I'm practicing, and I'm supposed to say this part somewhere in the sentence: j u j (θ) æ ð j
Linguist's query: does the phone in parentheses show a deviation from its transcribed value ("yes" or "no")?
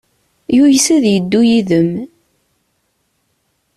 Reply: yes